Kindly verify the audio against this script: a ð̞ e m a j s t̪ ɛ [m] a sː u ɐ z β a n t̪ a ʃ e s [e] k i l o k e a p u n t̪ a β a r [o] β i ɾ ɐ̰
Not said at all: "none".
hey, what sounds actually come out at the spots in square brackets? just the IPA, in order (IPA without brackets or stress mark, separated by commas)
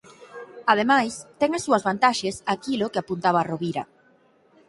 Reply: ŋ, a, o